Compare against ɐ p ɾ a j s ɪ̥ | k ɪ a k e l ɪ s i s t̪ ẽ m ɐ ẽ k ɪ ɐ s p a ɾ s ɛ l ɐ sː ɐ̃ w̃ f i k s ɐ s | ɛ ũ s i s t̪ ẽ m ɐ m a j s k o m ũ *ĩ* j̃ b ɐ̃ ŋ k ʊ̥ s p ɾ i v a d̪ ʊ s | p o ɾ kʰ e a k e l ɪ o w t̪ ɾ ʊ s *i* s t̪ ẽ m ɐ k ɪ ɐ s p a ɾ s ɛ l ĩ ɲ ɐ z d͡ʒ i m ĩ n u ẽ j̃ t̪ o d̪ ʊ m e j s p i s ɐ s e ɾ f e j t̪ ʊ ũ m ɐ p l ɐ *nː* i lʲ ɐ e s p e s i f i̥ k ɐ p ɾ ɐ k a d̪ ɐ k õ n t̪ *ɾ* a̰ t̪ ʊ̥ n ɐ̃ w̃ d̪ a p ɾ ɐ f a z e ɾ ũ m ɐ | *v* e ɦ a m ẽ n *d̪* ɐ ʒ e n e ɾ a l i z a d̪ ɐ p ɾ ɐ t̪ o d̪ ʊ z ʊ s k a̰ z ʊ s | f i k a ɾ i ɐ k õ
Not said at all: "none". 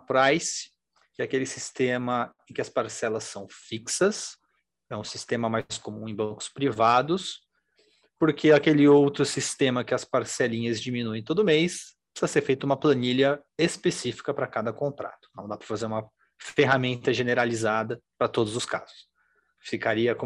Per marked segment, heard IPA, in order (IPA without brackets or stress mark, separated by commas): ẽ, i, n, ɾ, f, t̪